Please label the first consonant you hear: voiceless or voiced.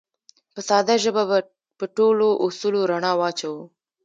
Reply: voiceless